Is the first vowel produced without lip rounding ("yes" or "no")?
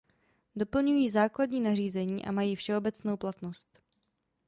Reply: no